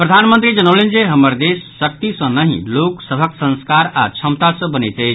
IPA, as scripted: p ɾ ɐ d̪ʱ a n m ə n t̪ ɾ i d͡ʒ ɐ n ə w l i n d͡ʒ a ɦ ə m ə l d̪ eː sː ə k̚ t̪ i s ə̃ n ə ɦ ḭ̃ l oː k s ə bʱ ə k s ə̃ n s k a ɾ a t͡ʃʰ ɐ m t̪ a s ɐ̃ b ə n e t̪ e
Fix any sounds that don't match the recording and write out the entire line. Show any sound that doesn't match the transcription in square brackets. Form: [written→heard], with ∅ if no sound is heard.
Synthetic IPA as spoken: p ɾ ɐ d̪ʱ a n m ə n t̪ ɾ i d͡ʒ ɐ n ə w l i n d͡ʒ [a→e] ɦ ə m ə [l→ɾ] d̪ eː sː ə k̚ t̪ i s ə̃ n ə ɦ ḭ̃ l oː k s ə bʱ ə k s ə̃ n s k a ɾ a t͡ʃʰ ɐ m t̪ a s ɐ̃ b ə n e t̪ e